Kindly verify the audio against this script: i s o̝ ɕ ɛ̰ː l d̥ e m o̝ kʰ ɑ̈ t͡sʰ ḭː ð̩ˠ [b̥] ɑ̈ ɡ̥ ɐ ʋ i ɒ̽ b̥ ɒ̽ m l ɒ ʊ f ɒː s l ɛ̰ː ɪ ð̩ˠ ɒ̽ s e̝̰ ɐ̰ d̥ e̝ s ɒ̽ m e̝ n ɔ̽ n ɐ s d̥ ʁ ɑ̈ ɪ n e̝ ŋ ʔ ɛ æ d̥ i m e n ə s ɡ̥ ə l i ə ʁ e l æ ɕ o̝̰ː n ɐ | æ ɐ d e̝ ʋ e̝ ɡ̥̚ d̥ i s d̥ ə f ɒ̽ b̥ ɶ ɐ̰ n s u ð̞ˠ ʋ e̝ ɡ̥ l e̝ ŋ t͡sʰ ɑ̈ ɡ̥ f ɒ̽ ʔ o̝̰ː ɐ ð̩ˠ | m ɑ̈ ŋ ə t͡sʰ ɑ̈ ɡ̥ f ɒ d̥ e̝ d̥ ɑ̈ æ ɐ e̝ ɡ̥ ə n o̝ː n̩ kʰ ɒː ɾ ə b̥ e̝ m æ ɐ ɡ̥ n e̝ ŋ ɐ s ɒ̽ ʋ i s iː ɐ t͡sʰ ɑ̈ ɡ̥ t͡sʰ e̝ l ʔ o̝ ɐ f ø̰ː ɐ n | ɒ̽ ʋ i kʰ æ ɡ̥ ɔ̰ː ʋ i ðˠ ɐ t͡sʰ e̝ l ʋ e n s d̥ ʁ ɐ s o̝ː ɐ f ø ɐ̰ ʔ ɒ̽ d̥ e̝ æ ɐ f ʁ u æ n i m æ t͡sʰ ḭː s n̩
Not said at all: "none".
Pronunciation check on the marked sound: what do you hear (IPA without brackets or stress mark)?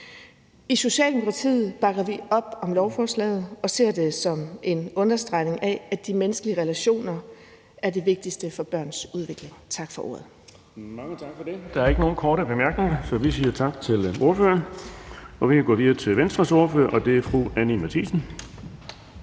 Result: b̥